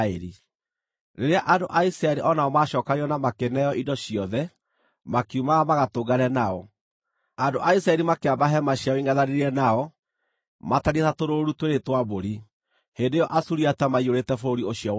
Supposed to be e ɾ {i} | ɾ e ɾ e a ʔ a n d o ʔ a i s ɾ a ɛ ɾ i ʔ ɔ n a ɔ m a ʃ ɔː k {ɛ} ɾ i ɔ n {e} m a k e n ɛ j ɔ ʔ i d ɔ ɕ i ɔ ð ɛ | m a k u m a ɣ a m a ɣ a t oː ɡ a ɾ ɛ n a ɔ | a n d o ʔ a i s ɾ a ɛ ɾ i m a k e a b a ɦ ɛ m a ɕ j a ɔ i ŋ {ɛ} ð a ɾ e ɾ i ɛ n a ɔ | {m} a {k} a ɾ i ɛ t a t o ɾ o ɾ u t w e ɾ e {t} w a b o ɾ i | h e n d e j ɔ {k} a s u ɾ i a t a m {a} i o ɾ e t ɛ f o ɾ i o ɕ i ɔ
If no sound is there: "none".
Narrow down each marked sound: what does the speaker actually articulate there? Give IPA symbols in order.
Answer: i, a, a, a, m, t, t, ʔ, a

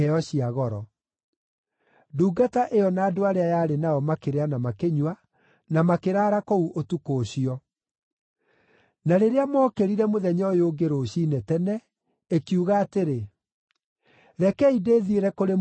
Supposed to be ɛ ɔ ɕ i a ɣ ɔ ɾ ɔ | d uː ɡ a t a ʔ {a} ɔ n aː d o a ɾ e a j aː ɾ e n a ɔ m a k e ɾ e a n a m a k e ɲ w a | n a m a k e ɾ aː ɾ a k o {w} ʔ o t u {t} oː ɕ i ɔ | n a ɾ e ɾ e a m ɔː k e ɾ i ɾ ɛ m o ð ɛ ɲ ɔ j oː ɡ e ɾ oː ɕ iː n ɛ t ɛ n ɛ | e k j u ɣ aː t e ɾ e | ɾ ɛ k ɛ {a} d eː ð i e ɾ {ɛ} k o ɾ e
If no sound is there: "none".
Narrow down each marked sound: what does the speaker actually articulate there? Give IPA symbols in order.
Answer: e, u, k, i, ɛ

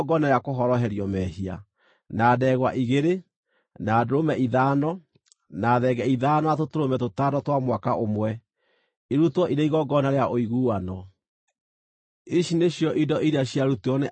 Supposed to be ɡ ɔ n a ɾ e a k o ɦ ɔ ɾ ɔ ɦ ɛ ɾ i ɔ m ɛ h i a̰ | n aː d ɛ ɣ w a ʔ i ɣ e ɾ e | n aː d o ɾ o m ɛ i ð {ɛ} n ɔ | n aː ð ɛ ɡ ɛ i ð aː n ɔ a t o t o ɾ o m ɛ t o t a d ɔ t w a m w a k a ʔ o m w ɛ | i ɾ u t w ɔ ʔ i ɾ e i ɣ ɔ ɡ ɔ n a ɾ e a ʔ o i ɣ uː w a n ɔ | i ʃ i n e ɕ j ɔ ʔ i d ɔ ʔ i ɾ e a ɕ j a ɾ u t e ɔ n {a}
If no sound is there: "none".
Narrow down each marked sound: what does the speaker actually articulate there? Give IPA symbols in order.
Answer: a, e

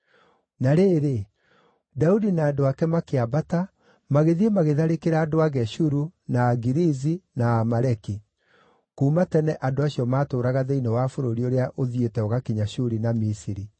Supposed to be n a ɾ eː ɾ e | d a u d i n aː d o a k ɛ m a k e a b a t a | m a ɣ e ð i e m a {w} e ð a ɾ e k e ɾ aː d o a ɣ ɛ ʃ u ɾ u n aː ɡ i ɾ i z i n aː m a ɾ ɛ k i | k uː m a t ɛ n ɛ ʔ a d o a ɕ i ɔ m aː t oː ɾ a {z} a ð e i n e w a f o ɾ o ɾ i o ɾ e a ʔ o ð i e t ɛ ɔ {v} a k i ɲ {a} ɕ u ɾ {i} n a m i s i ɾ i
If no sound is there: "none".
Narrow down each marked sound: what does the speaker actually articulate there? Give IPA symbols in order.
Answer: ɣ, ɣ, ɣ, a, i

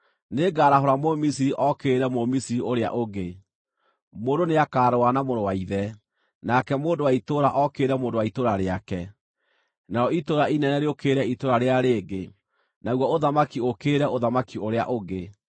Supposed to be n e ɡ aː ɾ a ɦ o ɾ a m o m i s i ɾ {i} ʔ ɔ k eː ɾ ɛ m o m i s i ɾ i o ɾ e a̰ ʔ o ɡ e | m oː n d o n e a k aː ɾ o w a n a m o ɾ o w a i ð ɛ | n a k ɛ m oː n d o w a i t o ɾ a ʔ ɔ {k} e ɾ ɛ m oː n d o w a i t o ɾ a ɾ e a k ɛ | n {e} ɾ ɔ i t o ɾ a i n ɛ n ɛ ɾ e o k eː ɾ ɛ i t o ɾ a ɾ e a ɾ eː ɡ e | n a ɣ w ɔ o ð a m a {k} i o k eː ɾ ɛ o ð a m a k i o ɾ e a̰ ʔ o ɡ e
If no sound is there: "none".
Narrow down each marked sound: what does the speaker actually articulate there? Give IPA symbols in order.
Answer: i, k, a, k

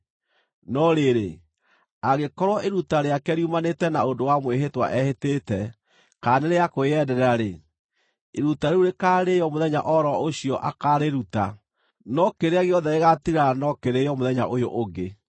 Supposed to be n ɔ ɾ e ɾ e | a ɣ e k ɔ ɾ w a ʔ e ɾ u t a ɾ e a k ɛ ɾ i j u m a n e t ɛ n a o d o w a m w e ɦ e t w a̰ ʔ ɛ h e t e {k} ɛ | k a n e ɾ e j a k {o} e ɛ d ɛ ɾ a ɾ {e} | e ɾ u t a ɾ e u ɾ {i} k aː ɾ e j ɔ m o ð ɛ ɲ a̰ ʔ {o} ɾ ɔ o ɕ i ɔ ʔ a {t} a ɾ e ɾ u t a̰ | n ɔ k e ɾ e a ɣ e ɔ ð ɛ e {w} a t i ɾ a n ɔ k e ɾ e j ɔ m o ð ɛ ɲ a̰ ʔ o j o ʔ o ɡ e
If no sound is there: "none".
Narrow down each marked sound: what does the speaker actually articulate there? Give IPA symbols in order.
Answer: t, o, e, e, ɔ, k, ɣ

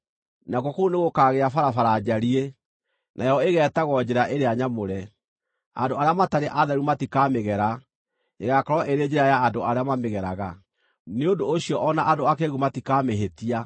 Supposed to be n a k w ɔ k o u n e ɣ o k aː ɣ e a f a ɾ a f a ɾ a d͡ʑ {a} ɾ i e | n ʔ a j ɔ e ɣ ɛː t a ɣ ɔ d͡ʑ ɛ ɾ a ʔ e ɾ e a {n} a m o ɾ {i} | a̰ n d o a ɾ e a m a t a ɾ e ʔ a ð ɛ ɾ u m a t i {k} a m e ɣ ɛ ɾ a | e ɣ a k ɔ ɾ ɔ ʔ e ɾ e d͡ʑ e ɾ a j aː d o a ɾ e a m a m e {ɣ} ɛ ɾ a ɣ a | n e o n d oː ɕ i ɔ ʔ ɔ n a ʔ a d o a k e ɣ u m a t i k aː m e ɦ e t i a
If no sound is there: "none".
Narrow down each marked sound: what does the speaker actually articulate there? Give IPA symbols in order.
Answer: a, ɲ, ɛ, k, ɣ

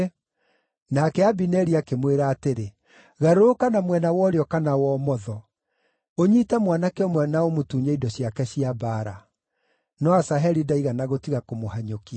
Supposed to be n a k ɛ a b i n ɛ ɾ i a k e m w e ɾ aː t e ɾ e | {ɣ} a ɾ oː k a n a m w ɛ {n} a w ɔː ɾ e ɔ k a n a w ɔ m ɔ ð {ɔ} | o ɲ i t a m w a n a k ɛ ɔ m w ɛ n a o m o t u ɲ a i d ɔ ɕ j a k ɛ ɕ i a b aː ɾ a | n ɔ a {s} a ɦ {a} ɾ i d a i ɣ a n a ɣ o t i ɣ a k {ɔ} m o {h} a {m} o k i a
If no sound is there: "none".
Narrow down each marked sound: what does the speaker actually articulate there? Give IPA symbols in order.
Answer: ɣ, n, ɔ, s, ɛ, o, h, ɲ

